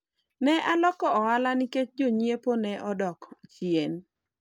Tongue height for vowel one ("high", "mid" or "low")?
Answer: mid